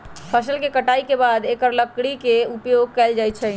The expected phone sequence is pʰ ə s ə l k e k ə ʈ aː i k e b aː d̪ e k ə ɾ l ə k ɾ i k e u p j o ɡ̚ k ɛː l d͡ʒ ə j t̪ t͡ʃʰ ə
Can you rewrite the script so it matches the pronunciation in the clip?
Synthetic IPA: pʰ ə s ə l k e k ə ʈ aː i k e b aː d̪ e k ə ɾ l ə k ɽ i k e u p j o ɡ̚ k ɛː l d͡ʒ a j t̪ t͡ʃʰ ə